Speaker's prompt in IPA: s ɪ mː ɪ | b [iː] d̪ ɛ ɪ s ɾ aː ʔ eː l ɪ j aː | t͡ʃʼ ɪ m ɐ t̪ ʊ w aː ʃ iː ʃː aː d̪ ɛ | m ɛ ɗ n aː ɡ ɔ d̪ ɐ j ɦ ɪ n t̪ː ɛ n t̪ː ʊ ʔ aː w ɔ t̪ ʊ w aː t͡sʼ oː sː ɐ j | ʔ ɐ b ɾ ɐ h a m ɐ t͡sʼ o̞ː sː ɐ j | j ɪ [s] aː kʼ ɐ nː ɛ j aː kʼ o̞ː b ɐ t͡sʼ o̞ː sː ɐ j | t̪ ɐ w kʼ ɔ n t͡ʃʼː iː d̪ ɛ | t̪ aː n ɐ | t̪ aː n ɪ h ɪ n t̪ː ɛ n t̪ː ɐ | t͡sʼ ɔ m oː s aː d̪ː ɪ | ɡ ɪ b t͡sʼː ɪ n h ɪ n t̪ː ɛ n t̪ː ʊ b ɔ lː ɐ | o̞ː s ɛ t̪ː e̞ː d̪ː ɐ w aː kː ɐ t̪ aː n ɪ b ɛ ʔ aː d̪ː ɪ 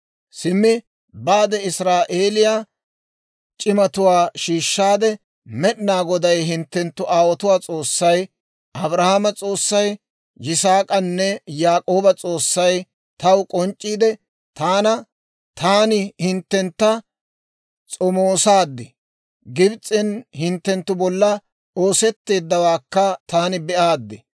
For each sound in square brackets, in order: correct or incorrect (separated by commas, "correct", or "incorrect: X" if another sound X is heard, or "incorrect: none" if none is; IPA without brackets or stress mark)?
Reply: incorrect: aː, correct